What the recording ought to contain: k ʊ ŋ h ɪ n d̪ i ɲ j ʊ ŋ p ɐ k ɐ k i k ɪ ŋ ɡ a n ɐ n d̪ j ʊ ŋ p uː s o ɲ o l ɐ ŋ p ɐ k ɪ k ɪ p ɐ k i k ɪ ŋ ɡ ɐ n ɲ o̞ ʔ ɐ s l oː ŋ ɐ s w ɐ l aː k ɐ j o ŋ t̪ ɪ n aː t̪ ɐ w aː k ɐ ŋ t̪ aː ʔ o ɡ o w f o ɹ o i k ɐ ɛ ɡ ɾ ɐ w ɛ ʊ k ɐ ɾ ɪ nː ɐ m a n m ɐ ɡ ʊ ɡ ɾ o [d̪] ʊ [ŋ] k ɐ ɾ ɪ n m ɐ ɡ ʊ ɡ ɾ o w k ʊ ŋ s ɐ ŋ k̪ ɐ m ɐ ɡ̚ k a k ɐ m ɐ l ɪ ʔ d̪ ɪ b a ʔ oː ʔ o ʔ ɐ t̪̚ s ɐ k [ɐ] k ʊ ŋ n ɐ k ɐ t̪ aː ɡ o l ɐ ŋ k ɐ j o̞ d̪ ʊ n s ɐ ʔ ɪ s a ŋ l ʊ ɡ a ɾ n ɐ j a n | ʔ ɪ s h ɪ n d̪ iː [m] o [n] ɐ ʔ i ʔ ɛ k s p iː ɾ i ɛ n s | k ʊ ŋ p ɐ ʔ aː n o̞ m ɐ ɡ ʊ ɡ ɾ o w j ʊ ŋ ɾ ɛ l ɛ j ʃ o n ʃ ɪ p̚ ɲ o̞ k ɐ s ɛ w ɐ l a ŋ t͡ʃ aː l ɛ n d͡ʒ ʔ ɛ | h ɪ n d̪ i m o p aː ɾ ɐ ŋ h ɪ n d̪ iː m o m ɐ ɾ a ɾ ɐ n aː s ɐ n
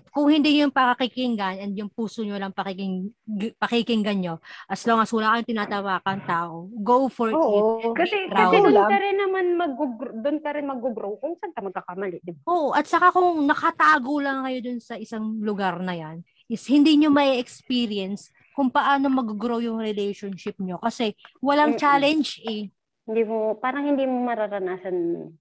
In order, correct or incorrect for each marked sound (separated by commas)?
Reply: correct, incorrect, incorrect, incorrect, incorrect